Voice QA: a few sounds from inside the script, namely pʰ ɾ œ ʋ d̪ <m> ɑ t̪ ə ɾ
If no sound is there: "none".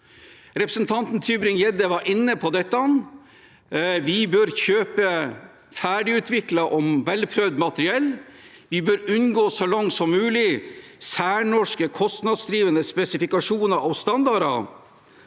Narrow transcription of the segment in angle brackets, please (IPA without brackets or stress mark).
m